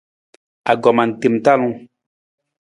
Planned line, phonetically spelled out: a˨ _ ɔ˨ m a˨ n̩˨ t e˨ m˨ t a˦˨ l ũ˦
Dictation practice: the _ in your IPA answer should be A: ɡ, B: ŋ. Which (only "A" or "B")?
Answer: A